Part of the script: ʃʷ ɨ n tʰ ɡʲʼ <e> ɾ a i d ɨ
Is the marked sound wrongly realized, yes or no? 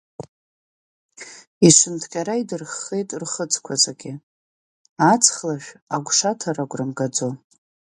yes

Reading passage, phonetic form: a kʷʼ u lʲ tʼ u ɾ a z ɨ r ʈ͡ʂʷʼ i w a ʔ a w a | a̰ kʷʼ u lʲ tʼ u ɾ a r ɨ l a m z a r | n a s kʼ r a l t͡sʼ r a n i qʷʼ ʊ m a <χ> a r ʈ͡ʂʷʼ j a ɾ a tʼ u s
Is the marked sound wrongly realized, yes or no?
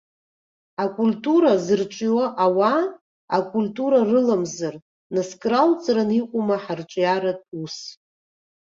yes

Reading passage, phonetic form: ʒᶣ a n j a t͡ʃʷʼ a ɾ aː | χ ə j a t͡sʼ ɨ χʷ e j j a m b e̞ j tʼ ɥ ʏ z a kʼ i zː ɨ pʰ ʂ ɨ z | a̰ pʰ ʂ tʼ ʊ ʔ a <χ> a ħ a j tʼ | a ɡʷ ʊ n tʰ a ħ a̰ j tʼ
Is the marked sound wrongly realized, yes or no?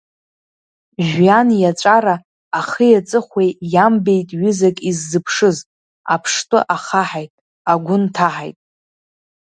no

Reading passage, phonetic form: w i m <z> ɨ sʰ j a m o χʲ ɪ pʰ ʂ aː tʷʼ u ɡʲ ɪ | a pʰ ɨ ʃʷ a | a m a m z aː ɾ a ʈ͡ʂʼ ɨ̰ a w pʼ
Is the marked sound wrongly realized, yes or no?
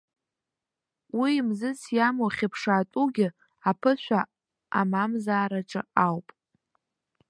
no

